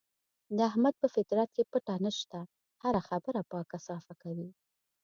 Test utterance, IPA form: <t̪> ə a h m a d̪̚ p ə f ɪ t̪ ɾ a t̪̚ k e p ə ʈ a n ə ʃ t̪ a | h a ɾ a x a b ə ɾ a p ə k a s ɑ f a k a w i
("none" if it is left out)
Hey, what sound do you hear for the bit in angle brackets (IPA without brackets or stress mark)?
d̪